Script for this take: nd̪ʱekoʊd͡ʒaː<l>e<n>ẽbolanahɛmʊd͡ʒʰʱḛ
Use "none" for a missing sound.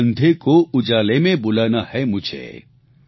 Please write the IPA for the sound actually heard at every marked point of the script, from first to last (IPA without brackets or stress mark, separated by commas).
l, m